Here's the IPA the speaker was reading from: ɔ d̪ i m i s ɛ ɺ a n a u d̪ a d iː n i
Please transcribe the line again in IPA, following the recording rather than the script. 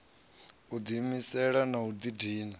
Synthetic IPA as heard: u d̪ i m i s ɛ ɺ a n a u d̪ i d iː n a